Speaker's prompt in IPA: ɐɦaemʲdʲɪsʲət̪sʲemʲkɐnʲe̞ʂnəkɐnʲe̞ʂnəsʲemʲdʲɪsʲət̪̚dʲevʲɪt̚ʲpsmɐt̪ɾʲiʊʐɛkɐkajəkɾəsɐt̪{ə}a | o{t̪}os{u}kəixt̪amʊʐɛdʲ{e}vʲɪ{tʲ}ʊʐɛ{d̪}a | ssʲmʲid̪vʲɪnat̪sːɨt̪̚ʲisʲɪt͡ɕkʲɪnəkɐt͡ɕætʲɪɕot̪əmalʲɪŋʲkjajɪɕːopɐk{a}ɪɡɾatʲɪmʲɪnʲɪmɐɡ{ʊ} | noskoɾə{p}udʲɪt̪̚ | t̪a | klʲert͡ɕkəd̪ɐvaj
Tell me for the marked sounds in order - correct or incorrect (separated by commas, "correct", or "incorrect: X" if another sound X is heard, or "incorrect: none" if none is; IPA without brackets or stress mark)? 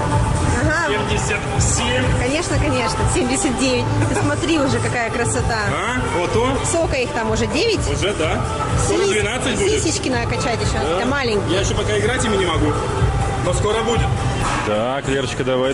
incorrect: a, correct, incorrect: o, correct, correct, correct, correct, incorrect: u, incorrect: b